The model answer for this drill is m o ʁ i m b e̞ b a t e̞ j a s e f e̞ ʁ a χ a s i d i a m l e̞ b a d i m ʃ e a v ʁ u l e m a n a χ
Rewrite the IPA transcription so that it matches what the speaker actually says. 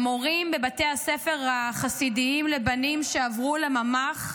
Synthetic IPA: m o ʁ i m b e̞ b a t e̞ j a s e f e̞ ʁ a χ a s i d i i m l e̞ b a n i m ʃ e a v ʁ u l e m a m a χ